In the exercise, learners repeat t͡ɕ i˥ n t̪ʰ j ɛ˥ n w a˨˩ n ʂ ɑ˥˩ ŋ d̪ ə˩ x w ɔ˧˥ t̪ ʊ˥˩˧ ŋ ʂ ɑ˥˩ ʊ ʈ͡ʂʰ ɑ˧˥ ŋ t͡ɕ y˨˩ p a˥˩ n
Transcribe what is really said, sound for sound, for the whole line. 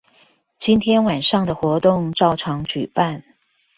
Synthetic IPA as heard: t͡ɕ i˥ n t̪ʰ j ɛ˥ n w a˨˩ n ʂ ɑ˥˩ ŋ d̪ ə˩ x w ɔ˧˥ t̪ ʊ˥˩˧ ŋ ʈ͡ʂ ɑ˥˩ ʊ ʈ͡ʂʰ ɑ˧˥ ŋ t͡ɕ y˨˩ p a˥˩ n